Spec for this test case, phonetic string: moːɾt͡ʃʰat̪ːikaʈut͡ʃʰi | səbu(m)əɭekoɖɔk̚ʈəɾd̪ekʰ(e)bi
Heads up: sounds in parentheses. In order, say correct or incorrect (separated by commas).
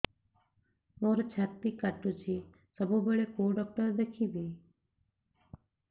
incorrect, incorrect